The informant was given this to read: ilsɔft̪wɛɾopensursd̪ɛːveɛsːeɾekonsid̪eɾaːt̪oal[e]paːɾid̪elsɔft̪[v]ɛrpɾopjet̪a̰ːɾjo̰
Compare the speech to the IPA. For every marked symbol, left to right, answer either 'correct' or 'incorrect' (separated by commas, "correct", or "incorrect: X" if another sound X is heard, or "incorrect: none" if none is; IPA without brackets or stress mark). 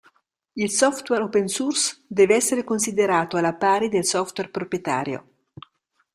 incorrect: a, incorrect: w